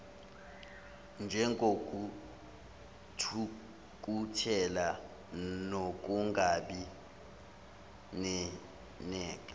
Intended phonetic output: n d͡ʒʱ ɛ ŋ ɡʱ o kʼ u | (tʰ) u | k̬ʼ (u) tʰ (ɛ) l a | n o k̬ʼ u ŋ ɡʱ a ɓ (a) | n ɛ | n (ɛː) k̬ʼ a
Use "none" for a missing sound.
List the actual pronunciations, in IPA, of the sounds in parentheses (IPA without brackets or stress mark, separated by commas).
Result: tʰ, u, ɛ, i, ɛː